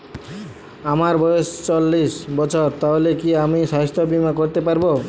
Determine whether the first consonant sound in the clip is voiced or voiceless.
voiced